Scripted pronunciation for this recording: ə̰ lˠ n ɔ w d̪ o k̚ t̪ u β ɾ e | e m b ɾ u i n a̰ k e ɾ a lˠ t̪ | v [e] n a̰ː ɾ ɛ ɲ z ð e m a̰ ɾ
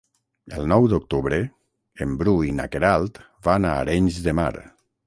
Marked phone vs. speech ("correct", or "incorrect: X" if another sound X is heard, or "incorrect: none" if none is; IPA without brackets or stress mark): incorrect: a